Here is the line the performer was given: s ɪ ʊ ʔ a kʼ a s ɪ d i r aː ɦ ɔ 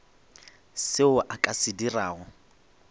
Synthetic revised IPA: s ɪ ʊ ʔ a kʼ a s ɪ d i r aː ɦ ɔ